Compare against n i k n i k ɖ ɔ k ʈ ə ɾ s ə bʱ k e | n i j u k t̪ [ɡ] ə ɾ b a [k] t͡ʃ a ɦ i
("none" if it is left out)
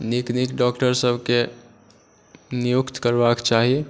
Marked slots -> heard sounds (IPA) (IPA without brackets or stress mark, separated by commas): k, k